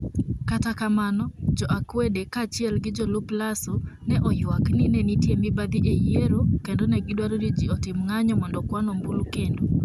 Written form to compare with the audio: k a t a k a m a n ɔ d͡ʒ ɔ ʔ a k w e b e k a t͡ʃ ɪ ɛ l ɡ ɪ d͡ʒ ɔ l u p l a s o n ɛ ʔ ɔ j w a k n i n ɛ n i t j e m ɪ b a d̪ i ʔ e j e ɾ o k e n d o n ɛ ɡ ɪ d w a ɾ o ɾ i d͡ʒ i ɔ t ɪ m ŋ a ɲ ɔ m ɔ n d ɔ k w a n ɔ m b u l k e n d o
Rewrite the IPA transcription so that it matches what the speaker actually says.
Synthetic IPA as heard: k a t a k a m a n ɔ d͡ʒ ɔ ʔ a k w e d e k a t͡ʃ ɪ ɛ l ɡ ɪ d͡ʒ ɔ l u p l a s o n ɛ ʔ ɔ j w a k n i n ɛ n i t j e m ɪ b a d̪ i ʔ e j e ɾ o k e n d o n ɛ ɡ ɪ d w a ɾ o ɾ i d͡ʒ i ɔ t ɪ m ŋ a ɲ ɔ m ɔ n d ɔ k w a n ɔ m b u l k e n d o